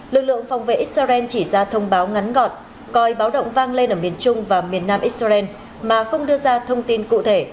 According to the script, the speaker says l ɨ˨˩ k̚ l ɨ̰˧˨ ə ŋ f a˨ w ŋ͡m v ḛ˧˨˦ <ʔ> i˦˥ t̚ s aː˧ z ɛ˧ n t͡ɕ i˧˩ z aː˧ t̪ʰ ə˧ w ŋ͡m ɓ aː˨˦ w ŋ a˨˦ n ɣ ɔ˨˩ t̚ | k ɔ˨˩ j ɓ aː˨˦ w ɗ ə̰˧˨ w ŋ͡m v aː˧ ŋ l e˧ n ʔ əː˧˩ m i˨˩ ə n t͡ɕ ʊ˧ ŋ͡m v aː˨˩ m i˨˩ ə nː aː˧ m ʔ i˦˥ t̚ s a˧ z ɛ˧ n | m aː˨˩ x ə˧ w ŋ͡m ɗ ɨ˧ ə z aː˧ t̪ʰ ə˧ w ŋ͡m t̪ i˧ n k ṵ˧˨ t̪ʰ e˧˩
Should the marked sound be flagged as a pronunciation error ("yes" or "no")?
no